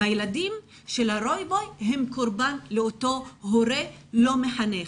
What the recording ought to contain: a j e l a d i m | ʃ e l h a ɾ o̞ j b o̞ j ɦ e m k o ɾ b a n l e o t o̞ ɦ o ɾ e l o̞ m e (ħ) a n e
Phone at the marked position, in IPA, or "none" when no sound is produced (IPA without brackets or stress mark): ħ